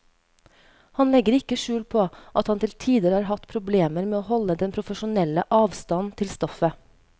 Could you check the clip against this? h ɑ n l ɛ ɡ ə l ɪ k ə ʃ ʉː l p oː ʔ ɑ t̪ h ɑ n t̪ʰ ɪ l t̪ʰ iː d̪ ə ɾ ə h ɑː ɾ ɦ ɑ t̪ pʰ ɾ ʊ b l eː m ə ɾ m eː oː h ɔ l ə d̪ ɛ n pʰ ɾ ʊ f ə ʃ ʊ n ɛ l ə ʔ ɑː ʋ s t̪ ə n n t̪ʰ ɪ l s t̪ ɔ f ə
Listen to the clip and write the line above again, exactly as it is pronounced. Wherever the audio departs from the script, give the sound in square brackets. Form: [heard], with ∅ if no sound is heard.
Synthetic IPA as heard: h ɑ n l ɛ ɡ ə [ɾ] ɪ k ə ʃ ʉː l [pʰ] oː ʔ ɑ t̪ h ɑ n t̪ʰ ɪ l t̪ʰ iː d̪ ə ɾ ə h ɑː ɾ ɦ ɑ t̪ pʰ ɾ ʊ b l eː m ə ɾ m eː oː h ɔ l ə d̪ ɛ n pʰ ɾ ʊ f ə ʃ ʊ n ɛ l ə ʔ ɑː ʋ s t̪ [ɑ] n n t̪ʰ ɪ l s t̪ ɔ f ə